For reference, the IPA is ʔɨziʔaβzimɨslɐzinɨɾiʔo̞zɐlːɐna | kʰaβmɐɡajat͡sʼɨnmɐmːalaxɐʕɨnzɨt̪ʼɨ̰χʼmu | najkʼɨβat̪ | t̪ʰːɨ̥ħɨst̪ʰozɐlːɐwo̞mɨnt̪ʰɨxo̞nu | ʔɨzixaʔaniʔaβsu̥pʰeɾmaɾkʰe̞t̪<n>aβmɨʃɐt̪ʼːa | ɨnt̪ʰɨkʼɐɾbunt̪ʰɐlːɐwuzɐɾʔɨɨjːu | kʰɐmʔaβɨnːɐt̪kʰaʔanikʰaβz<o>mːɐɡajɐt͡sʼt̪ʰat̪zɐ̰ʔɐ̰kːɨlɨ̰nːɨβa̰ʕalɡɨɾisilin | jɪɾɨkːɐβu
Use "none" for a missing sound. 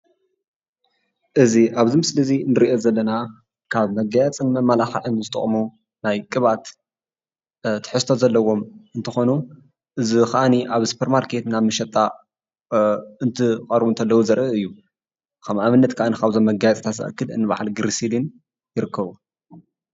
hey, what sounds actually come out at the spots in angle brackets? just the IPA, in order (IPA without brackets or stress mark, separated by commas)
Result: n, o